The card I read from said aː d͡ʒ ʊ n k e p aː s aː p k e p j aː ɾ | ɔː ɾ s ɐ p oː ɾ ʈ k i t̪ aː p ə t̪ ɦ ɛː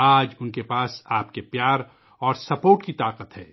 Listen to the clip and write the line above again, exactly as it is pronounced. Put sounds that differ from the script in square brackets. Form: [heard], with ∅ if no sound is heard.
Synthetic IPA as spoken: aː d͡ʒ ʊ n k e p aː s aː p k e p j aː ɾ | ɔː ɾ s ɐ p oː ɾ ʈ k i t̪ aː [q] ə t̪ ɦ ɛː